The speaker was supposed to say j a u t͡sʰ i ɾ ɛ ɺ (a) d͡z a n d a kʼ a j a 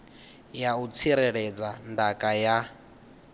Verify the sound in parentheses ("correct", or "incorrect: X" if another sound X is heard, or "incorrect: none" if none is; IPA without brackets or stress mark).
incorrect: ɛ